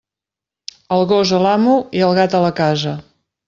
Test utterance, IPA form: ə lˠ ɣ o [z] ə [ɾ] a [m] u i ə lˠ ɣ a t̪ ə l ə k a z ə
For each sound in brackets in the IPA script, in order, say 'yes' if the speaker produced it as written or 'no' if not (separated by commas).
yes, no, yes